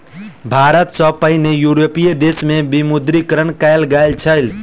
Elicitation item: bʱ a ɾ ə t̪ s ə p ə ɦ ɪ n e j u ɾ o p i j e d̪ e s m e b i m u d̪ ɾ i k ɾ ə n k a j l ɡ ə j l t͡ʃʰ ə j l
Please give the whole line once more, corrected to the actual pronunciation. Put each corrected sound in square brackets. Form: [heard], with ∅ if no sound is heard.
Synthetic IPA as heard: bʱ a ɾ ə t̪ s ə p ə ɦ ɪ n e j u ɾ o p i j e d̪ e s m e b i m u d̪ ɾ i k ɾ ə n k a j l ɡ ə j l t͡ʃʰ ə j l